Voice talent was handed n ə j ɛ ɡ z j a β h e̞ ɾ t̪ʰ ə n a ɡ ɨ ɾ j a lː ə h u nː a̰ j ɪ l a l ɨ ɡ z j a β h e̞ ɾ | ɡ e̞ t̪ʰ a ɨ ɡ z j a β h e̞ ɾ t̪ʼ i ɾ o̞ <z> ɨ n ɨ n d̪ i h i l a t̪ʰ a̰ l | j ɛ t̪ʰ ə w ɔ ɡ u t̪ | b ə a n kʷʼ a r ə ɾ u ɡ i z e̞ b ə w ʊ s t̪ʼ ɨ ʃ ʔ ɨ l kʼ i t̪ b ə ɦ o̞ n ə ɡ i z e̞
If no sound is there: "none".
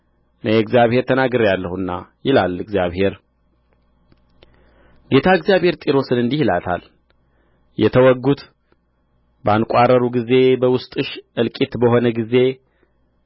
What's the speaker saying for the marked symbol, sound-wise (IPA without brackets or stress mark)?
s